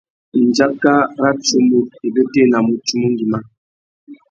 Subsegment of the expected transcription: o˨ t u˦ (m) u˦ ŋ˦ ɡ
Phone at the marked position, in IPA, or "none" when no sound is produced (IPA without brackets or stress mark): m